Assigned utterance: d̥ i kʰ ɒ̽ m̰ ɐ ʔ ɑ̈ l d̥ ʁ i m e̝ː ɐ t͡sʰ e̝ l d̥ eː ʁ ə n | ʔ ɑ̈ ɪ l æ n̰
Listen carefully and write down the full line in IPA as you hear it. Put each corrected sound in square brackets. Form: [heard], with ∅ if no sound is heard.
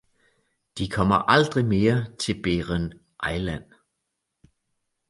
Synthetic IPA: d̥ i kʰ ɒ̽ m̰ ɐ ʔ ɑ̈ l d̥ ʁ i m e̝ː ɐ t͡sʰ e̝ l [b̥] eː ʁ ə n | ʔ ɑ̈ ɪ l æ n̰